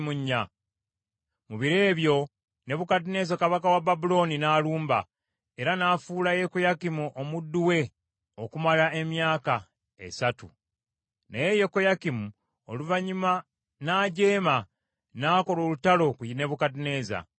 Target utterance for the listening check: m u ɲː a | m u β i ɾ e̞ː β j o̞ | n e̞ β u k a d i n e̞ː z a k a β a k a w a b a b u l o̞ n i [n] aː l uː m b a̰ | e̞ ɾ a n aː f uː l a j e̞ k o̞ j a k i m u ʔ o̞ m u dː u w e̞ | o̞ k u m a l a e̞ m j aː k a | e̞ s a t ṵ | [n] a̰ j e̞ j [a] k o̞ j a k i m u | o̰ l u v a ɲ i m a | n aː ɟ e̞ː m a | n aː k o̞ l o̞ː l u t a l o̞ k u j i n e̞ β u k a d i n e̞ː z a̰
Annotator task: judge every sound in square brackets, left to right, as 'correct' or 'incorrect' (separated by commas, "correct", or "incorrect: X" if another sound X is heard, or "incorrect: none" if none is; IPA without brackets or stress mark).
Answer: correct, correct, incorrect: e